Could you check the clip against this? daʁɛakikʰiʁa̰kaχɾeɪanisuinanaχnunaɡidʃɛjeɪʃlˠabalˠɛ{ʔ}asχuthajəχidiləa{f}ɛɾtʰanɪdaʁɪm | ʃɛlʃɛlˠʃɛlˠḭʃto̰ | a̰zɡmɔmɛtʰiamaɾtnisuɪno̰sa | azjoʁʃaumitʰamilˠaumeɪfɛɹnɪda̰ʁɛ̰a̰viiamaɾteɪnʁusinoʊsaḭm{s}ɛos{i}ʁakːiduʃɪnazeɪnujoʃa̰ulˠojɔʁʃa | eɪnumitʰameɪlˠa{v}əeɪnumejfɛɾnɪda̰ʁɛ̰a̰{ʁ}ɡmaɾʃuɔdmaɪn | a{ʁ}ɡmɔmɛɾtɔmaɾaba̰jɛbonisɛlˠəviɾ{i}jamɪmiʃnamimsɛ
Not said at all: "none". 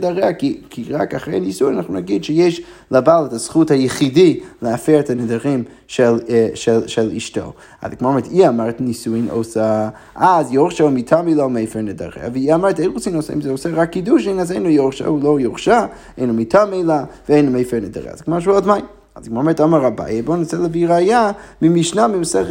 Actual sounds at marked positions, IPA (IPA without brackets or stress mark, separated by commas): t, f, z, ɛ, v, z, z, a